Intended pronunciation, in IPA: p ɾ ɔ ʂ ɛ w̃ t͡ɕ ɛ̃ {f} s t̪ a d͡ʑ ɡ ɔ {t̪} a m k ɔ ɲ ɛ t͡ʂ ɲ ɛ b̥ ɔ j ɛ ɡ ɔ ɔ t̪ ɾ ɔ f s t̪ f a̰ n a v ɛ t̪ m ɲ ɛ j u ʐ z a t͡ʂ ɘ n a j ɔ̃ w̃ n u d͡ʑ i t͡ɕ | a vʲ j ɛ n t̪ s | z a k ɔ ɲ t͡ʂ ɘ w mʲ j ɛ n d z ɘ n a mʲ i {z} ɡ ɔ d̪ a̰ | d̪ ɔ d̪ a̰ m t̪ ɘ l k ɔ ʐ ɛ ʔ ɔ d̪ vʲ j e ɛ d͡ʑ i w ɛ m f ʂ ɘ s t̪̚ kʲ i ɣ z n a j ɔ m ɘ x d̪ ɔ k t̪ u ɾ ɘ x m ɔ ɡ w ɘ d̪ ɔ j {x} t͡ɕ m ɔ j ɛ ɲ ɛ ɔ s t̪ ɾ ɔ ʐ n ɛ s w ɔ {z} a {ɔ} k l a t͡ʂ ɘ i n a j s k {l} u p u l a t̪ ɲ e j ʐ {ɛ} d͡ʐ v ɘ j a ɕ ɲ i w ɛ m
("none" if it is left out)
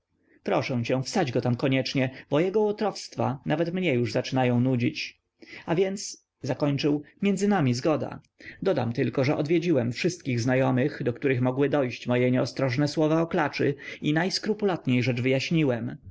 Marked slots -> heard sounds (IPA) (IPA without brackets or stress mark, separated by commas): f, t̪, z, ɕ, v, ɔ, ɾ, ɛ